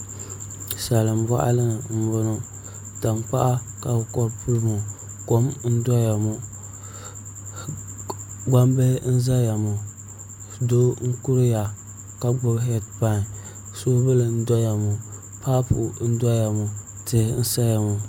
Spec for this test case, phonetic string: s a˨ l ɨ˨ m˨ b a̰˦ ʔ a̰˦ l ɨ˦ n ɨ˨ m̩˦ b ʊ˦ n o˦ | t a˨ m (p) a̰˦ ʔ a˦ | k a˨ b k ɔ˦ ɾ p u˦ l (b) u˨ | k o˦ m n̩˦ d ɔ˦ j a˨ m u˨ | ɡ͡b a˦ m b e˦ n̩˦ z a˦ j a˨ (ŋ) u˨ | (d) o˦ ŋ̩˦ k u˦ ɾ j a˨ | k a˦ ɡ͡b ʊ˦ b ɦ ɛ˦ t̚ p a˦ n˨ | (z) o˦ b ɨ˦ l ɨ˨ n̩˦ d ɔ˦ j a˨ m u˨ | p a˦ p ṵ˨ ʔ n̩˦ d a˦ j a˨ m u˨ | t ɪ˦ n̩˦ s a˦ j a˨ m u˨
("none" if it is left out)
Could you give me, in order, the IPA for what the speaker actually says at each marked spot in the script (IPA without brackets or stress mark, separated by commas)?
p, m, m, d, s